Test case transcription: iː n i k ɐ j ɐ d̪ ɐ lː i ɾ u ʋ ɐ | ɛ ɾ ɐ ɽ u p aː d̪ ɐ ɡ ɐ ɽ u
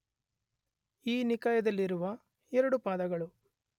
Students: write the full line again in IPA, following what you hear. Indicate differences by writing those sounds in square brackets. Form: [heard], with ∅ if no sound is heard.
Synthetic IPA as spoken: iː n i k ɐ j ɐ d̪ ɐ lː i ɾ u ʋ ɐ | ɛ ɾ ɐ ɽ u p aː d̪ ɐ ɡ ɐ [ɭ] u

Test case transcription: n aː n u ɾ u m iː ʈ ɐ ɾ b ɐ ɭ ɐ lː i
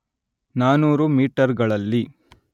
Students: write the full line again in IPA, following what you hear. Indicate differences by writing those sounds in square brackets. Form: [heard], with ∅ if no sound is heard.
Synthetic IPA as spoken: n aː n [uː] ɾ u m iː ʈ ɐ ɾ [ɡ] ɐ ɭ ɐ lː i

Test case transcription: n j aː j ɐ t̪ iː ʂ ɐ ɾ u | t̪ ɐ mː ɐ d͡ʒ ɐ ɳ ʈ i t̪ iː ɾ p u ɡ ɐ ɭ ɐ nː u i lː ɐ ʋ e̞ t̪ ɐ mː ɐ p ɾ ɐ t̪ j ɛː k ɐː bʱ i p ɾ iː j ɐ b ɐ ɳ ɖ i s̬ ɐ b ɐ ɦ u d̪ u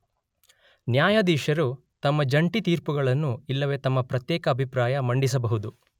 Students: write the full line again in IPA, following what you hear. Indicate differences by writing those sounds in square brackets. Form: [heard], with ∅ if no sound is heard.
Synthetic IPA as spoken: n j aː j ɐ [d̪] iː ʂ ɐ ɾ u | t̪ ɐ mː ɐ d͡ʒ ɐ ɳ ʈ i t̪ iː ɾ p u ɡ ɐ ɭ ɐ nː u i lː ɐ ʋ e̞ t̪ ɐ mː ɐ p ɾ ɐ t̪ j ɛː k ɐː bʱ i p ɾ [aː] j ɐ [m] ɐ ɳ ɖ i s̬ ɐ b ɐ ɦ u d̪ u

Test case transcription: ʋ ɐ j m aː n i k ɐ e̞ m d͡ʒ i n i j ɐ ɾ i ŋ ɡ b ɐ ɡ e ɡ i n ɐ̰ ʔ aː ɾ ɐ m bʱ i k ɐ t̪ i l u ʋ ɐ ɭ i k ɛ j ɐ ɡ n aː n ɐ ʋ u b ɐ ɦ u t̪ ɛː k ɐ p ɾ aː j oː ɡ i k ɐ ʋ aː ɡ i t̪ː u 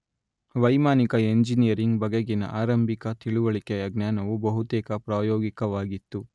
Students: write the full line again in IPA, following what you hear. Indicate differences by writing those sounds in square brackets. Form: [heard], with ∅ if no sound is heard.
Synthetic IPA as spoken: ʋ ɐ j m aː n i k ɐ e̞ [ɲ] d͡ʒ i n i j ɐ ɾ i ŋ ɡ b ɐ ɡ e ɡ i n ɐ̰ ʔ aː ɾ ɐ m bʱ i k ɐ t̪ i [ɭ] u ʋ ɐ ɭ i k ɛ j ɐ ɡ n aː n ɐ ʋ u b ɐ ɦ u t̪ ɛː k ɐ p ɾ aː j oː ɡ i k ɐ ʋ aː ɡ i t̪ː u

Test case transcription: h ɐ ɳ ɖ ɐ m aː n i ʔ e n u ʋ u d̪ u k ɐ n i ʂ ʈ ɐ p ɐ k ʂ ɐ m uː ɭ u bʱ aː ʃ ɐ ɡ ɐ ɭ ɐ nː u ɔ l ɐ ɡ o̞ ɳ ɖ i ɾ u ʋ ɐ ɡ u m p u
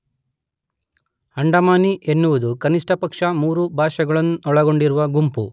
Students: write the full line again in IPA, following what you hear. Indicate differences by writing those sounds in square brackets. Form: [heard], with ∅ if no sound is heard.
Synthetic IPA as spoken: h ɐ ɳ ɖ ɐ m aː n i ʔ e [nː] u ʋ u d̪ u k ɐ n i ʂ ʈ ɐ p ɐ k ʂ ɐ m uː [ɾ] u bʱ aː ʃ ɐ ɡ ɐ ɭ ɐ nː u ɔ [ɭ] ɐ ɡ o̞ ɳ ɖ i ɾ u ʋ ɐ ɡ u m p u

